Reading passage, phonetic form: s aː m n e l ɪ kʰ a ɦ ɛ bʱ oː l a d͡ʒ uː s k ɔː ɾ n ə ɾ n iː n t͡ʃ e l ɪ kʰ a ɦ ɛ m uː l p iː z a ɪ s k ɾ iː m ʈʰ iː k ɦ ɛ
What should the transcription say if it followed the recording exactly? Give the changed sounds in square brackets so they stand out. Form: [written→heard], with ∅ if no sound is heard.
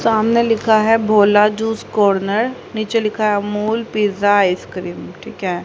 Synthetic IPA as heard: s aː m n e l ɪ kʰ a ɦ ɛ bʱ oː l a d͡ʒ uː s k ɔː ɾ n ə ɾ n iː [n→∅] t͡ʃ e l ɪ kʰ a ɦ ɛ m uː l p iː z a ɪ s k ɾ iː m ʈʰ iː k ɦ ɛ